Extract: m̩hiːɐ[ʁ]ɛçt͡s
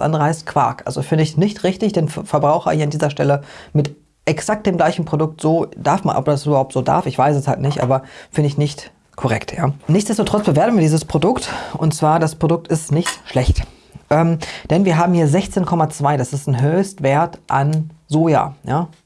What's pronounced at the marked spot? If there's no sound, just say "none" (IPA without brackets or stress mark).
z